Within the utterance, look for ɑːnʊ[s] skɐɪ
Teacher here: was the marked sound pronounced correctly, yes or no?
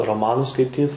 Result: yes